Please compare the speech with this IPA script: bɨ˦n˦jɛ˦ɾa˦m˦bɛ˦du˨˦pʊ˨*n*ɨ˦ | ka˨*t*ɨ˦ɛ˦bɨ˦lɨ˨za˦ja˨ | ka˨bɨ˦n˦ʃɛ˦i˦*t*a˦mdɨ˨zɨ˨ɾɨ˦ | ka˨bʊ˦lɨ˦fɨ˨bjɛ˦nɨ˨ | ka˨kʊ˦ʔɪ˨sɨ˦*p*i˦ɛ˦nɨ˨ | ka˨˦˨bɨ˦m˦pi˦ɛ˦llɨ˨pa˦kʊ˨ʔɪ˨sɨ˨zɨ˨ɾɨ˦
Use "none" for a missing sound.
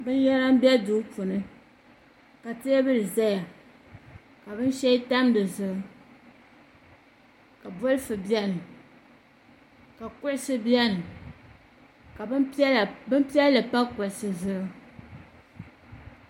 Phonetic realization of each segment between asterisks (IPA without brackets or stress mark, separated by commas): n, t, t, b